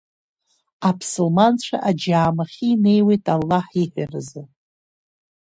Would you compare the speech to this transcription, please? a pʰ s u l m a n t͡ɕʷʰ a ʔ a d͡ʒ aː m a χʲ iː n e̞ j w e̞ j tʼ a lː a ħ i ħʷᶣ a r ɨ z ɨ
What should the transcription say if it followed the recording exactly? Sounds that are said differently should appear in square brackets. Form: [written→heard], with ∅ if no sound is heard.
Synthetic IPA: a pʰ s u l m a n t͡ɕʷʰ a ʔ a d͡ʒ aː m a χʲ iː n e̞ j w e̞ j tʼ a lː a ħ i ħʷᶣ a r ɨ z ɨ